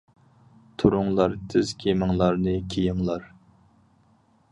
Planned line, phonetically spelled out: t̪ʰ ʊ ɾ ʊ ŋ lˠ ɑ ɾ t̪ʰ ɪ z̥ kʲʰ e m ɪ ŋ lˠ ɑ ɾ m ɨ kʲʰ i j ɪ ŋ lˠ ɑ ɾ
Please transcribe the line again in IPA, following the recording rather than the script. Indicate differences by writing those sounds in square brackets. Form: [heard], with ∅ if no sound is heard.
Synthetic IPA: t̪ʰ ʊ ɾ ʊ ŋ lˠ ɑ ɾ t̪ʰ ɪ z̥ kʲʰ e m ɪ ŋ lˠ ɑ ɾ [n] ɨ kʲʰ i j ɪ ŋ lˠ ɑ ɾ

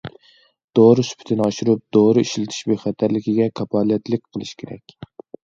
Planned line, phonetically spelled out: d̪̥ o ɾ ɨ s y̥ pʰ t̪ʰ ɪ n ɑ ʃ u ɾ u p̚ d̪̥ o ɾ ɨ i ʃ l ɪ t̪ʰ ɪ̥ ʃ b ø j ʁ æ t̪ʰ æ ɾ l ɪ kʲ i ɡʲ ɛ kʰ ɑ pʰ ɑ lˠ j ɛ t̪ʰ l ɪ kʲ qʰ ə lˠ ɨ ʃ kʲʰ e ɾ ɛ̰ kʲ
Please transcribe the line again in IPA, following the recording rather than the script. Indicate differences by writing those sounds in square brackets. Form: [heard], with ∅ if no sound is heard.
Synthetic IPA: d̪̥ o ɾ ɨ s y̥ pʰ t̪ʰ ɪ n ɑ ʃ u ɾ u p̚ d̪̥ o ɾ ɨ i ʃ l ɪ t̪ʰ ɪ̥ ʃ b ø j [χ] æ t̪ʰ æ ɾ l ɪ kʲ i ɡʲ ɛ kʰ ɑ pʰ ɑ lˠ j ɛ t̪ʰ l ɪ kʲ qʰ ə lˠ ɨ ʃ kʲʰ e ɾ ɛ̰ kʲ

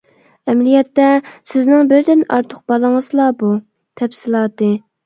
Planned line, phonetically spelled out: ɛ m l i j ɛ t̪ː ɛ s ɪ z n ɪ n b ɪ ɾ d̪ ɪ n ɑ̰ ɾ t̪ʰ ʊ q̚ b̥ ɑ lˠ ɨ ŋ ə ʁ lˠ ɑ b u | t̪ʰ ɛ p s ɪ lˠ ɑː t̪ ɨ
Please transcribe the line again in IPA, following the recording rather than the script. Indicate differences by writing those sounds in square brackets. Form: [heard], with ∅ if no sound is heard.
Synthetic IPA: ɛ m l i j ɛ t̪ː ɛ s ɪ z n ɪ [ŋ] b ɪ ɾ d̪ ɪ n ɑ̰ ɾ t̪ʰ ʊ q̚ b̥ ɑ lˠ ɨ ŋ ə [z] lˠ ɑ b u | t̪ʰ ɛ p s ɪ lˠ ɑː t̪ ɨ

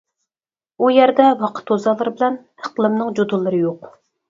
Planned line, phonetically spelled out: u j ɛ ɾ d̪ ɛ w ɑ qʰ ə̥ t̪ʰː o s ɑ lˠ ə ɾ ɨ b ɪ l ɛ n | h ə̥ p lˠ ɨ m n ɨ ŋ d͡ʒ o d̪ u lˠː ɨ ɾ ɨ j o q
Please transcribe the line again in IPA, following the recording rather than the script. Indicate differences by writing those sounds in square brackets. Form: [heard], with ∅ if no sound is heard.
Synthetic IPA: u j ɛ ɾ d̪ ɛ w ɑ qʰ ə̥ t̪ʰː o [z] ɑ lˠ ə ɾ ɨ b ɪ l ɛ n | h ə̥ [q] lˠ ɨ m n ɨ ŋ d͡ʒ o d̪ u lˠː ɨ ɾ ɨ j o q

